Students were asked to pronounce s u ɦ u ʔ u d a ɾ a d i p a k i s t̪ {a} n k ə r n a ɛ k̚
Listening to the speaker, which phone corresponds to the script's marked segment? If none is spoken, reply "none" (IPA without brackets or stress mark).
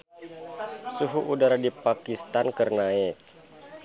a